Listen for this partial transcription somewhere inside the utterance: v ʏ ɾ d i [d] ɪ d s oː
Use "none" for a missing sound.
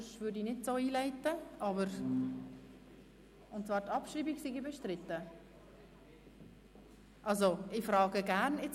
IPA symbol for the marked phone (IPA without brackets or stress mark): n